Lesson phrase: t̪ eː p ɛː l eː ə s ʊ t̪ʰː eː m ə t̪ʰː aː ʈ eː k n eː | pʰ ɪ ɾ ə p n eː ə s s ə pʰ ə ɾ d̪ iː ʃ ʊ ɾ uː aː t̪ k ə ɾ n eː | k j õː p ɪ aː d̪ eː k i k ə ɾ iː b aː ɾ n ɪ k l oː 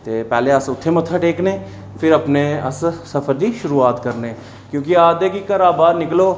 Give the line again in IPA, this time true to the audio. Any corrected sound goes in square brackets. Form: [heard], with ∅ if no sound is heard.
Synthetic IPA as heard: t̪ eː p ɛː l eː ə s ʊ t̪ʰː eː m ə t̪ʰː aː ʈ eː k n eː | pʰ ɪ ɾ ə p n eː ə s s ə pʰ ə ɾ d̪ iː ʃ ʊ ɾ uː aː t̪ k ə ɾ n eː | k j õː [k] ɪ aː d̪ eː k i k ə ɾ [aː] b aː ɾ n ɪ k l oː